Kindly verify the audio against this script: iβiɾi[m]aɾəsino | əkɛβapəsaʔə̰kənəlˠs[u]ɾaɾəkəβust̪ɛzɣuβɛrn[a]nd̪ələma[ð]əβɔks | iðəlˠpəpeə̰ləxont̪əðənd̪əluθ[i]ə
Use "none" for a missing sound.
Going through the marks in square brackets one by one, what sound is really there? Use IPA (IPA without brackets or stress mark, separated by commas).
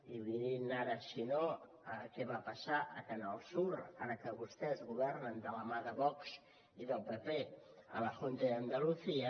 n, u, ə, ð, i